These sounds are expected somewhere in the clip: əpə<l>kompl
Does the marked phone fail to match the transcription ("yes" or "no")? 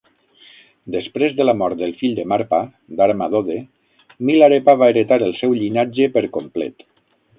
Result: yes